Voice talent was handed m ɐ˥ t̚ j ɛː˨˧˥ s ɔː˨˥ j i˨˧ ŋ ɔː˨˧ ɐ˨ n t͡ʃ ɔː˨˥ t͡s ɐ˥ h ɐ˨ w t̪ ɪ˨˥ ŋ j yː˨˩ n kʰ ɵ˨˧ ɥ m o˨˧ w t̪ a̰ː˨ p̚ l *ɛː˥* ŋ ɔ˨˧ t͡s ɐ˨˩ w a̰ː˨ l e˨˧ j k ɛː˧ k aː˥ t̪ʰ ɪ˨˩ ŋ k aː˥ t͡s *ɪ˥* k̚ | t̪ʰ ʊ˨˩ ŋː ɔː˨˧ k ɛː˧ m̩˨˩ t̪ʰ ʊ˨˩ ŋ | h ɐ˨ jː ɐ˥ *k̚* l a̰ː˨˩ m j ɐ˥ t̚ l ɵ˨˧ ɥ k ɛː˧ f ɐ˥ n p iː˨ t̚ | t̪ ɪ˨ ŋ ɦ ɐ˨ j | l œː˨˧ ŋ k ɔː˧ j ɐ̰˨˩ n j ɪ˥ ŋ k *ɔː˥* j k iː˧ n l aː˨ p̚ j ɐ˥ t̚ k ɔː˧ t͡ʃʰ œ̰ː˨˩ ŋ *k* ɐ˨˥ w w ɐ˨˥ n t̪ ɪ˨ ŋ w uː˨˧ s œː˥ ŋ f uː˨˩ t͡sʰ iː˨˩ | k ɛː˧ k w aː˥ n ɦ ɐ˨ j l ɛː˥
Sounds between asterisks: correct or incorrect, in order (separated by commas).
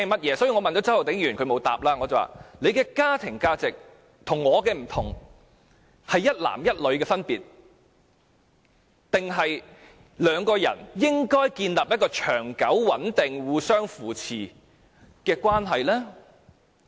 incorrect, incorrect, incorrect, correct, correct